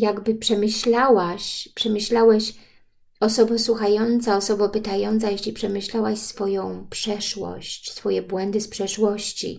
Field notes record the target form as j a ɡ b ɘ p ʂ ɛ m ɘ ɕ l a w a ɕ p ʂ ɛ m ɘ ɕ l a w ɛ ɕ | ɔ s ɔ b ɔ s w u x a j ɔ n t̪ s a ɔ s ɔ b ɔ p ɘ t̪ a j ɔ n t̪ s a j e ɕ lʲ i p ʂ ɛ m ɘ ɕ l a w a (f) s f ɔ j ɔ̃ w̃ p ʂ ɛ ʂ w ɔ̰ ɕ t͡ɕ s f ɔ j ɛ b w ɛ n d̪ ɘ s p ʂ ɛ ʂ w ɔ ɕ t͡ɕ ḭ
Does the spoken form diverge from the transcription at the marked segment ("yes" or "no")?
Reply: yes